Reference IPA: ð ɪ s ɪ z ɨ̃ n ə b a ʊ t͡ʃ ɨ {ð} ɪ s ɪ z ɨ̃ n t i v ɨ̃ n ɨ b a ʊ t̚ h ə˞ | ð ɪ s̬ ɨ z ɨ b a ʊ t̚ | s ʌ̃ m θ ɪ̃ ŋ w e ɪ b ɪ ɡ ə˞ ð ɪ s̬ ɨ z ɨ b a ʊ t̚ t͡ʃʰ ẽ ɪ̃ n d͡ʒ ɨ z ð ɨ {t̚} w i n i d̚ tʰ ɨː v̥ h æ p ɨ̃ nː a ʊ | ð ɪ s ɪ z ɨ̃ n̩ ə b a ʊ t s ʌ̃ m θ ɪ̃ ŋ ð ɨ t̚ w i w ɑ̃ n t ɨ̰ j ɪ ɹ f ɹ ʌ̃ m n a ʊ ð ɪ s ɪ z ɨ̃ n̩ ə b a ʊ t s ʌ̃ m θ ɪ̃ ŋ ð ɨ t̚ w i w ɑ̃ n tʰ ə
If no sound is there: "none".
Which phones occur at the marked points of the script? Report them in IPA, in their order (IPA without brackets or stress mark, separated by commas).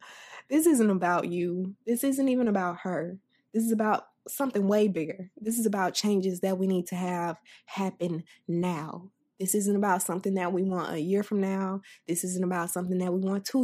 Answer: ð, t̚